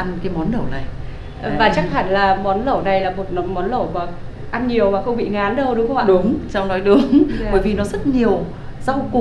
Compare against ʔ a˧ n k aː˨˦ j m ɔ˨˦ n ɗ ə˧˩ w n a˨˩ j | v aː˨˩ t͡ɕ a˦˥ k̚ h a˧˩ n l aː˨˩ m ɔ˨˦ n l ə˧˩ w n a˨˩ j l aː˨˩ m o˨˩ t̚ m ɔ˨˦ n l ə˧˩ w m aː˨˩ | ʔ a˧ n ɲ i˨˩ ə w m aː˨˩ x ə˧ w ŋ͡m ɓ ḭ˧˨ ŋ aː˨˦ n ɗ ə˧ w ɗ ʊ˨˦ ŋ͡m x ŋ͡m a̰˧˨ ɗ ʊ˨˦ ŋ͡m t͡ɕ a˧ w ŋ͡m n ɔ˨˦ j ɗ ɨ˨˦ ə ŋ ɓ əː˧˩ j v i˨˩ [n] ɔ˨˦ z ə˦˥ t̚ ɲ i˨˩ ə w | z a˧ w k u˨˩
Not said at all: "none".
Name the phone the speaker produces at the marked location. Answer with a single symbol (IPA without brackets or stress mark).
n